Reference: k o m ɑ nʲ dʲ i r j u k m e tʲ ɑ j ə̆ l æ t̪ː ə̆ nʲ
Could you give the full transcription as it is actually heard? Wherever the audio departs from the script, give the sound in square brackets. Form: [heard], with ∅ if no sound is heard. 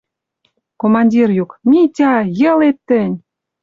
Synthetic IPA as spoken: k o m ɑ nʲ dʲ i r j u k m [i] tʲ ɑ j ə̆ l [e] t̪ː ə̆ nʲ